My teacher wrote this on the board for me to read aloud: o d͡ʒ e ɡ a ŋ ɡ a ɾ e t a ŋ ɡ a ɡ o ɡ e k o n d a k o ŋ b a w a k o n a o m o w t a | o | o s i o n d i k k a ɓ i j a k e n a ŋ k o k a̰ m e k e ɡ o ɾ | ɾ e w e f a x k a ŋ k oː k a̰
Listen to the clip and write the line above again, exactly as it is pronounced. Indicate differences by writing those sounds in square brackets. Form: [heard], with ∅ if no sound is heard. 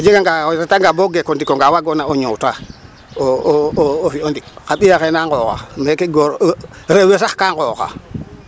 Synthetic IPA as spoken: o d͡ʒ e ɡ a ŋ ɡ a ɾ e t a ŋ ɡ a [b] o ɡ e k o n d [i] k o ŋ [ɡ] a w a [ɡ] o n a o [ɲ] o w t a | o | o [f] i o n d i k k a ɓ i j a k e n a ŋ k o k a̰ m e k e ɡ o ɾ | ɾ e w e [s] a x k a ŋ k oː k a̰